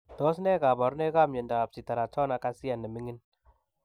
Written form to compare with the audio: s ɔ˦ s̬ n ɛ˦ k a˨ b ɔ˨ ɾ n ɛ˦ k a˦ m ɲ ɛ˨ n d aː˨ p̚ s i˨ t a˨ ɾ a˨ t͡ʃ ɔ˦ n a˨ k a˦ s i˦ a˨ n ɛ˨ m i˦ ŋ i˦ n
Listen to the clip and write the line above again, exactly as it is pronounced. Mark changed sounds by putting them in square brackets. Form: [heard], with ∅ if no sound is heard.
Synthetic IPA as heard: [t] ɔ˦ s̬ n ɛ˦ k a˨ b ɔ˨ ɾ n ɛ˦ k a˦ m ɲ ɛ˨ n d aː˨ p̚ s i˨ t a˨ ɾ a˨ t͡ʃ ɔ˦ n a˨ k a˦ s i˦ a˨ n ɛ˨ m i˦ ŋ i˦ n